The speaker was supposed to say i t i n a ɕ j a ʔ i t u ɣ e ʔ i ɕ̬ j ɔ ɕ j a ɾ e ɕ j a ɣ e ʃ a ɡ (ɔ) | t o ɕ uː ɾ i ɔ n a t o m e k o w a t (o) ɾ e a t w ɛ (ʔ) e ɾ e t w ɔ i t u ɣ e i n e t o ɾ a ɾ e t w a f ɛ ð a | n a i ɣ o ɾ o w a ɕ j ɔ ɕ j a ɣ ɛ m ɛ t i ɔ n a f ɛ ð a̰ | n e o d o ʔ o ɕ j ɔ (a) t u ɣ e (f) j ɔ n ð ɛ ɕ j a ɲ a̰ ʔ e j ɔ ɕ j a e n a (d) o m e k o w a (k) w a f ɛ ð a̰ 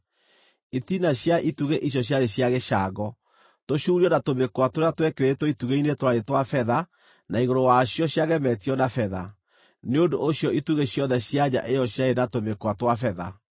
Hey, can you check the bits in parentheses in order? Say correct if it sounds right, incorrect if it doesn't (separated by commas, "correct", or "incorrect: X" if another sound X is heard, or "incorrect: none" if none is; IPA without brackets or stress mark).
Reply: correct, correct, incorrect: k, incorrect: i, incorrect: ɕ, incorrect: t, incorrect: t